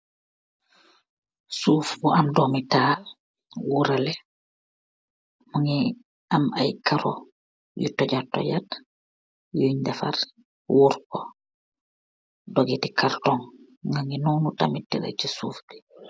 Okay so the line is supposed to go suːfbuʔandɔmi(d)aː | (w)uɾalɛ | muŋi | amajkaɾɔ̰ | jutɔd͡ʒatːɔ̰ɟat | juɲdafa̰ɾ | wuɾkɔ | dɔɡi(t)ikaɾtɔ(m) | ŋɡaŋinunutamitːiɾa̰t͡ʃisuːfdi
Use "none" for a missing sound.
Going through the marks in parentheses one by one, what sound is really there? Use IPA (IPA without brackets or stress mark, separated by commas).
t, w, t, ŋ